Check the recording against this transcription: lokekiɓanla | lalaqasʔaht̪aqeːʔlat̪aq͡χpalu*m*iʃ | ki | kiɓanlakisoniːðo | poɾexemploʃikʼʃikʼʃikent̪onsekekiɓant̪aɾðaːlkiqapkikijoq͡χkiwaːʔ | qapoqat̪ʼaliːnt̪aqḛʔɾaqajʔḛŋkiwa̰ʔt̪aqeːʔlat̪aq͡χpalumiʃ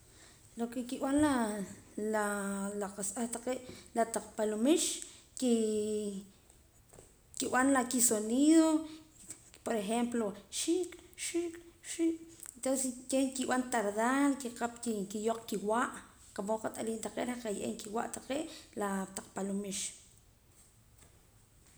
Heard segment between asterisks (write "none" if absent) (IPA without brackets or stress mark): m